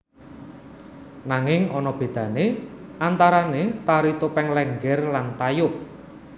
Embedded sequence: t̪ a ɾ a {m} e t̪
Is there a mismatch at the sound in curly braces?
yes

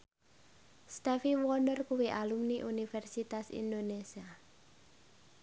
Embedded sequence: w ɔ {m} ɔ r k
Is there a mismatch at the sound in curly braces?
yes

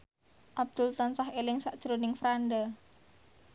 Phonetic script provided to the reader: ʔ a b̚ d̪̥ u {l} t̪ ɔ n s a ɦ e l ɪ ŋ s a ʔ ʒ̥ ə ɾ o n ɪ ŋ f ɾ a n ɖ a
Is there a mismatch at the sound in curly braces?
no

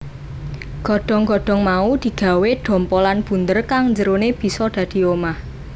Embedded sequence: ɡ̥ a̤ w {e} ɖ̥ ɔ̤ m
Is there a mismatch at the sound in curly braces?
no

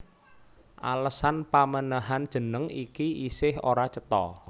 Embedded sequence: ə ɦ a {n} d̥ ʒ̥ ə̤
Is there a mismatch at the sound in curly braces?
no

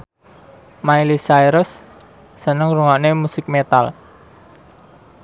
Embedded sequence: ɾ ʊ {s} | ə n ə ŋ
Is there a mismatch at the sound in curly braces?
yes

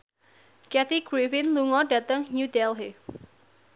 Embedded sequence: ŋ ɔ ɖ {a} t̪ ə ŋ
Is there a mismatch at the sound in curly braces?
no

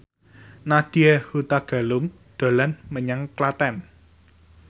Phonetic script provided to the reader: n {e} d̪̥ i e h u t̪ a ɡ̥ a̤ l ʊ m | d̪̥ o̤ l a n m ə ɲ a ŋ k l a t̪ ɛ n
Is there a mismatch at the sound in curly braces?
yes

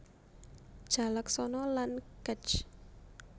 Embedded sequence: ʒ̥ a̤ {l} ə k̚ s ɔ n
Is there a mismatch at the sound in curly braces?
no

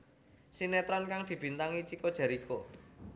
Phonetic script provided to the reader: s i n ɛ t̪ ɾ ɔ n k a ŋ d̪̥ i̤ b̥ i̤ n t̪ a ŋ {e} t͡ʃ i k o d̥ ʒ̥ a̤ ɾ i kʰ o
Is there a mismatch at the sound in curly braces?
yes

